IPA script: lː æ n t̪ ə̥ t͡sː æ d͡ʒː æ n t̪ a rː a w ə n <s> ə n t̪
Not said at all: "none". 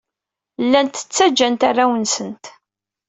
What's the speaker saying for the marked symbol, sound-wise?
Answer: s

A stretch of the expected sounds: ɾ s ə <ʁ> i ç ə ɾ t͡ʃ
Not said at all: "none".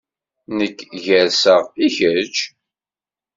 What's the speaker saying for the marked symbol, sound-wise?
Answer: ʁ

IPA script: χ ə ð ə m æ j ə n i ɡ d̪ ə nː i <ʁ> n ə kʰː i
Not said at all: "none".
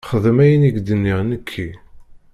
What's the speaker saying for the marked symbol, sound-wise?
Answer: ʁ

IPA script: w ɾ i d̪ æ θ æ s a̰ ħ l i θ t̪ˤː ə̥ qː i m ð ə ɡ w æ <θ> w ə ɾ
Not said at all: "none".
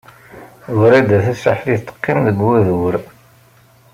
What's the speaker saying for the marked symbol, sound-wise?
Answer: ð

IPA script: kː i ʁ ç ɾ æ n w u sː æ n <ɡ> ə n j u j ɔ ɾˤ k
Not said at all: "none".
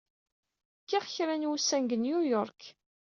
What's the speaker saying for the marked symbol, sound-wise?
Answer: ɡ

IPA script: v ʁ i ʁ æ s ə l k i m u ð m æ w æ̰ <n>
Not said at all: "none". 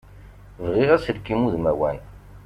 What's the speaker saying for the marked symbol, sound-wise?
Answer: n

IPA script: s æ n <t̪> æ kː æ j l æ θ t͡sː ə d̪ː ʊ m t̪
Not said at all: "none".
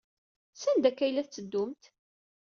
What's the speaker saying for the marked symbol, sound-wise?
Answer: d̪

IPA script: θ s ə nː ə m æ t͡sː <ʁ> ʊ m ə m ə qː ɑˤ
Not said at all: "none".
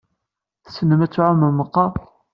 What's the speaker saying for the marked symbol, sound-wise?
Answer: ʕ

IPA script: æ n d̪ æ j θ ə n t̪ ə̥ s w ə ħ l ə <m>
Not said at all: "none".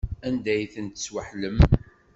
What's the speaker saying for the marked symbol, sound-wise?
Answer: m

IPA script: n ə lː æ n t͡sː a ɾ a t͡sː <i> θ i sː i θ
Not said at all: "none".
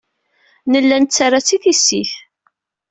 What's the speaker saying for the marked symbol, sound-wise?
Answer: i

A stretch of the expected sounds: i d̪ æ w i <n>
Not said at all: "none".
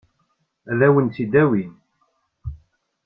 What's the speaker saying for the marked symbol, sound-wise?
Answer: n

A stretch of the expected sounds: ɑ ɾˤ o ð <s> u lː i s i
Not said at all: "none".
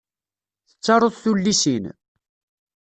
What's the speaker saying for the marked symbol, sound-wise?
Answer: θ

